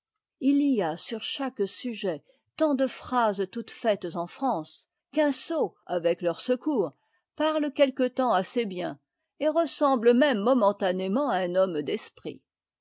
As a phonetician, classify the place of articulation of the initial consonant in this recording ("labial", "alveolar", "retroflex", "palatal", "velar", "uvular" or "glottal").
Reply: alveolar